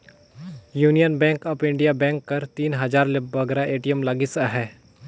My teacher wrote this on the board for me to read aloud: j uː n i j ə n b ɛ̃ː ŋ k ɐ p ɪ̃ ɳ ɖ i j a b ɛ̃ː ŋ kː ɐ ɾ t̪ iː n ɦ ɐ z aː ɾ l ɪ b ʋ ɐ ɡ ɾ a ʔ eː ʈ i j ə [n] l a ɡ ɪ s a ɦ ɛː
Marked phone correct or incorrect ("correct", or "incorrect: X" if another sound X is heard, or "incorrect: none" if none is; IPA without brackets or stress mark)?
incorrect: m